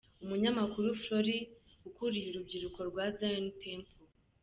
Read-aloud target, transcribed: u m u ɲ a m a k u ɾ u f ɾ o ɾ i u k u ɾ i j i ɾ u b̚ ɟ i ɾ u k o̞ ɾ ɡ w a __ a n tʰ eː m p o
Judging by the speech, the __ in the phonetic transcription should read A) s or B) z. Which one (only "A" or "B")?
B